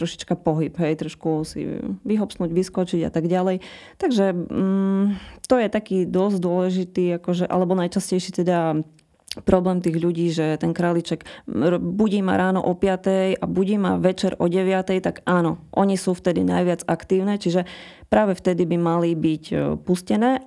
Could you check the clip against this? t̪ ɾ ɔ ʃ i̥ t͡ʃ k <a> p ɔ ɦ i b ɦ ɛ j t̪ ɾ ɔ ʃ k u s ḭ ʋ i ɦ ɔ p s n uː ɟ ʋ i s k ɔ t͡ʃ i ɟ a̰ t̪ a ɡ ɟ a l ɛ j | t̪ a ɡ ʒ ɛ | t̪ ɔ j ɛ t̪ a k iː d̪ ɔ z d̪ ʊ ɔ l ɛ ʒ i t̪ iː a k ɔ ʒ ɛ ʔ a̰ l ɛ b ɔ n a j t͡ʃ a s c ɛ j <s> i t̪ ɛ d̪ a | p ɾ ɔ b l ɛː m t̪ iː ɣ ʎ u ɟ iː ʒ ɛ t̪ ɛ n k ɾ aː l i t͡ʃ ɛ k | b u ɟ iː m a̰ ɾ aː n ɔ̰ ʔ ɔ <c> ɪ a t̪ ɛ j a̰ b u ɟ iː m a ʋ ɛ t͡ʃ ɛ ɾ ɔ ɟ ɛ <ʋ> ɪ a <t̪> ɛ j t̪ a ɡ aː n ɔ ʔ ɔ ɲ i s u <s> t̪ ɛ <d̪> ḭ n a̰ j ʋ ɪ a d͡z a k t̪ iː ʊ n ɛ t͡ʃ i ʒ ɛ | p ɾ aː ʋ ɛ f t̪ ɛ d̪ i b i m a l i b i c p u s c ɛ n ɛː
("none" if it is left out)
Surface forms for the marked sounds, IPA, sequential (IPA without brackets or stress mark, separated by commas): a, ʃ, p, ʋ, t̪, f, d̪